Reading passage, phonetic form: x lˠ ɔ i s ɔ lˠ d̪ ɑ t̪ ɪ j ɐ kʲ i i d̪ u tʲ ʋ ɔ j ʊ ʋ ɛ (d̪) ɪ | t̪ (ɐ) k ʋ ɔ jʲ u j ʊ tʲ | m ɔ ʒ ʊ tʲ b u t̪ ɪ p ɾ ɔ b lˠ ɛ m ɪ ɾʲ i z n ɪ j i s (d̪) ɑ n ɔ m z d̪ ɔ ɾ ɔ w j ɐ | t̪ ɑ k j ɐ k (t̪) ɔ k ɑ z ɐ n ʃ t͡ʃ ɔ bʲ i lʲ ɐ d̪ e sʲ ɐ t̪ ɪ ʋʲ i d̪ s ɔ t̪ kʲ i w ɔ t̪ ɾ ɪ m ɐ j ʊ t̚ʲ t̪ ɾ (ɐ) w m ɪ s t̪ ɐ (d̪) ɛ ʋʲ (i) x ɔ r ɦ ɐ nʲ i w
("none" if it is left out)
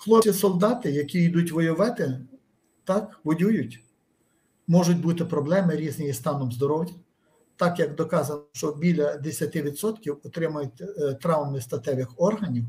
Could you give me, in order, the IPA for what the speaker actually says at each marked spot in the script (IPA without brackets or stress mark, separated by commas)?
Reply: t̪, ɑ, t̪, d̪, ɑ, t̪, ɪ